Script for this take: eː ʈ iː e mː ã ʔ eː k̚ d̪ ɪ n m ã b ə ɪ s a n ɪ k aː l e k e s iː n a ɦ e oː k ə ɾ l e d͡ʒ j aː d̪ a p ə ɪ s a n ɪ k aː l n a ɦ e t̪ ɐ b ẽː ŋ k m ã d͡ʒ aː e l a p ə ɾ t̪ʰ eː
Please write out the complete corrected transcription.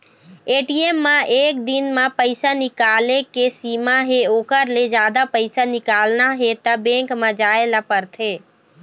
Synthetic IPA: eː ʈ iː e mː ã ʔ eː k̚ d̪ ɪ n m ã p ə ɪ s a n ɪ k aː l e k e s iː m a ɦ e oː k ə ɾ l e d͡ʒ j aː d̪ a p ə ɪ s a n ɪ k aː l n a ɦ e t̪ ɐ b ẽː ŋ k m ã d͡ʒ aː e l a p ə ɾ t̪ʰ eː